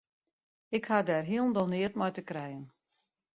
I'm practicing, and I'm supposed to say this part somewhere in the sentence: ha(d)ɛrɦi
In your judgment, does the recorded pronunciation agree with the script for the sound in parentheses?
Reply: yes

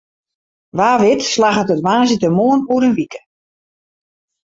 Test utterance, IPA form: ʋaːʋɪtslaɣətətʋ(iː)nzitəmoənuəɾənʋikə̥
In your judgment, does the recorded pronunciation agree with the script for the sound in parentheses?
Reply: no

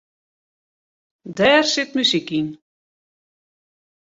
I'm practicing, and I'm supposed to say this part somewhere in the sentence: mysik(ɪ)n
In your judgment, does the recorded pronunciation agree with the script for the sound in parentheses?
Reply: no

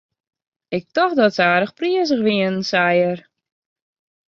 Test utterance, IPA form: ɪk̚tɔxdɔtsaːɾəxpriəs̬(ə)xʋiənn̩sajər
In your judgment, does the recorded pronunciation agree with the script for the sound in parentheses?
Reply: yes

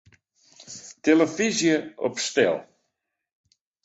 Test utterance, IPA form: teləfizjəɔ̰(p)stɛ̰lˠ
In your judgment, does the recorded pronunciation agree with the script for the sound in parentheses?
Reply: yes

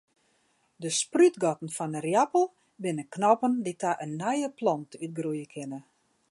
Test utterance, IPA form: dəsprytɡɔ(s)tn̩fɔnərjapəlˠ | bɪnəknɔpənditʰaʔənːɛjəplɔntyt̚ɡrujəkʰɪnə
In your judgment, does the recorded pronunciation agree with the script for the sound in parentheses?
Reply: no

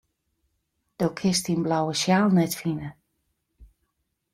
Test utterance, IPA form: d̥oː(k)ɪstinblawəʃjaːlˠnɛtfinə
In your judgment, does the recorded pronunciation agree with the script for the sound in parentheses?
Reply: no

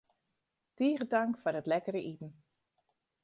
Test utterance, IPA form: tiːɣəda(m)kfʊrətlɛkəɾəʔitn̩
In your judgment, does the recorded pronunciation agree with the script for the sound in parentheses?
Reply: no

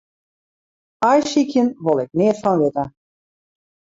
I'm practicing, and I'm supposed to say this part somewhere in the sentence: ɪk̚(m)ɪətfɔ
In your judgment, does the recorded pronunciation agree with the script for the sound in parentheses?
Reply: no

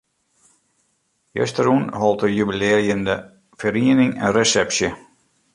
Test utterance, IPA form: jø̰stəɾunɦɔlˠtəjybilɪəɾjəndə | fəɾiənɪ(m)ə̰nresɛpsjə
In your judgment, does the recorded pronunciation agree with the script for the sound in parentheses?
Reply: no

